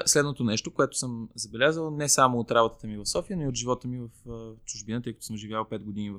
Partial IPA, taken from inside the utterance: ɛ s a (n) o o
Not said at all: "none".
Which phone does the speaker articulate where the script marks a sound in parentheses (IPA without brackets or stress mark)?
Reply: m